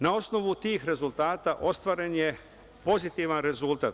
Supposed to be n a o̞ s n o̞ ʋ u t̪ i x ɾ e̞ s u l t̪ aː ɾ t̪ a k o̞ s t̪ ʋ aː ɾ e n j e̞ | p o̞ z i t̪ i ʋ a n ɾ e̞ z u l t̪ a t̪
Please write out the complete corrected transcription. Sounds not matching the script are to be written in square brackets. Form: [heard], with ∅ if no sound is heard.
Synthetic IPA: n a o̞ s n o̞ ʋ u t̪ [iː] x ɾ e̞ [z] u l t̪ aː [∅] t̪ a [ʔ] o̞ s t̪ ʋ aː ɾ e n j e̞ | p o̞ z i t̪ i ʋ a n ɾ e̞ z u l t̪ a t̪